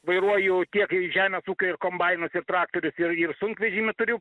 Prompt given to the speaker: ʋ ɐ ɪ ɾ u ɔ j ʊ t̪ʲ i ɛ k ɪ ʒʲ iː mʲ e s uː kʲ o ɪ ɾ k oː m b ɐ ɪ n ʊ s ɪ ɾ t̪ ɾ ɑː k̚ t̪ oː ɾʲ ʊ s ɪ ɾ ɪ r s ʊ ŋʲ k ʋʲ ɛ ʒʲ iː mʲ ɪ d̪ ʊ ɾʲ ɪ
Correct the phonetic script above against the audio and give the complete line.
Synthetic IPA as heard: ʋ ɐ ɪ ɾ u ɔ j ʊ t̪ʲ i ɛ k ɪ ʒʲ æː mʲ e s uː kʲ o ɪ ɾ k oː m b ɐ ɪ n ʊ s ɪ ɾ t̪ ɾ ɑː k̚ t̪ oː ɾʲ ʊ s ɪ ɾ ɪ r s ʊ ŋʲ k ʋʲ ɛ ʒʲ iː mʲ ɪ t̪ ʊ ɾʲ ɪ